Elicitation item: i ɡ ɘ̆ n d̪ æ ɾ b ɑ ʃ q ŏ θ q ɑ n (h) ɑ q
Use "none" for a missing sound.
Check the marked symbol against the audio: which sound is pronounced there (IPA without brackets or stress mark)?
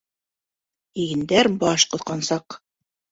s